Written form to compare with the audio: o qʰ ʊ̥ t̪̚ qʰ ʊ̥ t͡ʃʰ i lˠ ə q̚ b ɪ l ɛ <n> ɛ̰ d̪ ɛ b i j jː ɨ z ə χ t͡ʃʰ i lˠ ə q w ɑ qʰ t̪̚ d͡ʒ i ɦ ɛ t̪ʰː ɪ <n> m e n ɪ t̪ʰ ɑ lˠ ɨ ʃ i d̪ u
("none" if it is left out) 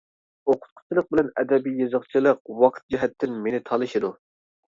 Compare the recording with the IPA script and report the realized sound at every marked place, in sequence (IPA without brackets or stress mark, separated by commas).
n, n